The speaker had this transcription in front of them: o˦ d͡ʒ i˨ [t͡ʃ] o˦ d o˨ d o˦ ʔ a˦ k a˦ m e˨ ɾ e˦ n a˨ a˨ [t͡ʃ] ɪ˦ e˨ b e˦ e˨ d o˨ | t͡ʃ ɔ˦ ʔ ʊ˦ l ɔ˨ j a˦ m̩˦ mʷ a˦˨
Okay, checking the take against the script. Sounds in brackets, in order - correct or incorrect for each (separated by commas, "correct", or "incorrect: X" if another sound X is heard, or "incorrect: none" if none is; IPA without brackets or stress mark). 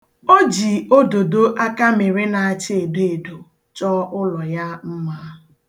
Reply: incorrect: none, correct